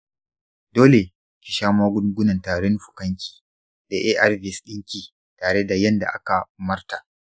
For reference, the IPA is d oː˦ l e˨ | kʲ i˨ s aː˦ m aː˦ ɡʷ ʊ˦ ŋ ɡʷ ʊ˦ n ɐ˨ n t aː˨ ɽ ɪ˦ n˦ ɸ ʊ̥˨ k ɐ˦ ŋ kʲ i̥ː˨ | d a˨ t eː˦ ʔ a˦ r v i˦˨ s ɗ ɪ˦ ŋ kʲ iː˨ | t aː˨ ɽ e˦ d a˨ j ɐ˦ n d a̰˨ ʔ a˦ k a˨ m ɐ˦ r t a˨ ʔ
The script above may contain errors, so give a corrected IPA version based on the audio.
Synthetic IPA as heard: d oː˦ l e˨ | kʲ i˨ ʃ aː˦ m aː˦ ɡʷ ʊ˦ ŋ ɡʷ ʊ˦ n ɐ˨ n t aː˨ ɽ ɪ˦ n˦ ɸ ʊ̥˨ k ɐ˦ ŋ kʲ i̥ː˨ | d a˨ ʔ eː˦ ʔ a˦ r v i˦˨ s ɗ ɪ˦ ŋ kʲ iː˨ | t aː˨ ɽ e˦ d a˨ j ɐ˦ n d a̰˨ ʔ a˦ k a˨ m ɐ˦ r t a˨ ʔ